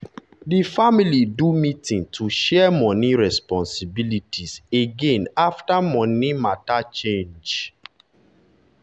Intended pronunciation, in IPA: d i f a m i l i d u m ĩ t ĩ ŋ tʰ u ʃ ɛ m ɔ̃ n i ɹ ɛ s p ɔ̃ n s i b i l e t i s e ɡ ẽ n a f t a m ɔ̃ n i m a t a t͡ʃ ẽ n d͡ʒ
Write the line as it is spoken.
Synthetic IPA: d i f a m i l i d u m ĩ t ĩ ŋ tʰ u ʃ ɛ m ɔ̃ n i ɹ ɛ s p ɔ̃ n s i b i l i t i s e ɡ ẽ n a f t a m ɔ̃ n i m a t a t͡ʃ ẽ n d͡ʒ